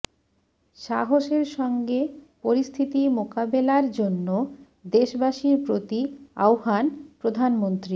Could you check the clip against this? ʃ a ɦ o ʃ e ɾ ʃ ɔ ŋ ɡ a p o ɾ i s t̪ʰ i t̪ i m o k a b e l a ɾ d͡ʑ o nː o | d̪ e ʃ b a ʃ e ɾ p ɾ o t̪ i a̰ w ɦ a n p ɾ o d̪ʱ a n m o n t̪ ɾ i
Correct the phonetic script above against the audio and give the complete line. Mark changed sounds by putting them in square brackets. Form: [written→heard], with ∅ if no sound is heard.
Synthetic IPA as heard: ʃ a ɦ o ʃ e ɾ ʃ ɔ ŋ ɡ [a→e] p o ɾ i s t̪ʰ i t̪ i m o k a b e l a ɾ d͡ʑ o nː o | d̪ e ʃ b a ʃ [e→i] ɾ p ɾ o t̪ i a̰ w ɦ a n p ɾ o d̪ʱ a n m o n t̪ ɾ i